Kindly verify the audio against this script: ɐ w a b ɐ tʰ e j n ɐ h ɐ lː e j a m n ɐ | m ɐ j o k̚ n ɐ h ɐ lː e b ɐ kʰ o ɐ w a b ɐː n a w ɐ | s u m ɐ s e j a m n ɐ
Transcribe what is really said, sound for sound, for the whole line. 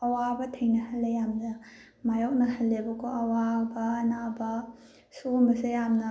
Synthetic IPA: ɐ w a b ɐ tʰ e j n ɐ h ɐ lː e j a m n ɐ | m a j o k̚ n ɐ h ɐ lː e b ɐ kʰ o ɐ w a b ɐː n a b ɐ | s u m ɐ s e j a m n ɐ